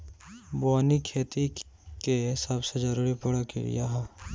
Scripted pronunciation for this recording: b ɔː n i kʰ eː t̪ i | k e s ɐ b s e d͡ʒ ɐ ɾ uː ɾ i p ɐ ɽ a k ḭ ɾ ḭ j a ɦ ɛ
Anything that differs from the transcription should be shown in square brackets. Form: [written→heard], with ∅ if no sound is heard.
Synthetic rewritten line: b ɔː n i kʰ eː t̪ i | k e s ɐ b s e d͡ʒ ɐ ɾ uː ɾ i p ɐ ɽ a k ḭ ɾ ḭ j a ɦ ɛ